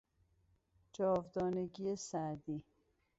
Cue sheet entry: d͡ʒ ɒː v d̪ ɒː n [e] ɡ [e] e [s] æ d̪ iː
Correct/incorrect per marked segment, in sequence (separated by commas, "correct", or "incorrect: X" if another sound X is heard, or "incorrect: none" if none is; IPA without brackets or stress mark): correct, incorrect: i, correct